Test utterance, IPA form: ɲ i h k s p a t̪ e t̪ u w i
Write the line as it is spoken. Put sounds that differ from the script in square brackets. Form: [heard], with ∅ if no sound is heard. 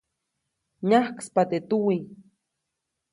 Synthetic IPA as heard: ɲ [a] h k s p a t̪ e t̪ u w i